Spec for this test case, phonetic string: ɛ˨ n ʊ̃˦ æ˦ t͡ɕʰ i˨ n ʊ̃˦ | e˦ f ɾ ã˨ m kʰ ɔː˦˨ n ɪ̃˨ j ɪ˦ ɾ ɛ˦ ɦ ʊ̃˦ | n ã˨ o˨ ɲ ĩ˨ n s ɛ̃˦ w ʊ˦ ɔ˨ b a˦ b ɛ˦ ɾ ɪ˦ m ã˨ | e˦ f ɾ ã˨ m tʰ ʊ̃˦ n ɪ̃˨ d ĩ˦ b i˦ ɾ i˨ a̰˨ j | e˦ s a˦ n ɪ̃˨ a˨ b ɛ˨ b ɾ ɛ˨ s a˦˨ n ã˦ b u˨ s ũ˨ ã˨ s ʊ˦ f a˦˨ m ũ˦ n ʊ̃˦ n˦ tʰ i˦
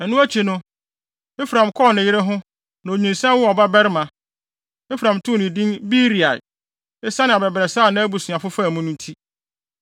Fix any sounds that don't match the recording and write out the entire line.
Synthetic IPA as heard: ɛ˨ n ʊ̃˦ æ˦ t͡ɕʰ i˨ n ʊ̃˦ | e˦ f ɾ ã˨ m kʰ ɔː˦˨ n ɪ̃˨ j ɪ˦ ɾ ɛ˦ ɦ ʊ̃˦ | n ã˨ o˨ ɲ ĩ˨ n s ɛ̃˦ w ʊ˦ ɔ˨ b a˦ b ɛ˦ ɾ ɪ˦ m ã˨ | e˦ f ɾ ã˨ m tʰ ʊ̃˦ n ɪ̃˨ d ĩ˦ b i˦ ɾ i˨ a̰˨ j | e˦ s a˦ n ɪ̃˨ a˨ b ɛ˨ b ɾ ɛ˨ s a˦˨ n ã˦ b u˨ s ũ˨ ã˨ f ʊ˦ f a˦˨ m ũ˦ n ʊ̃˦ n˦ tʰ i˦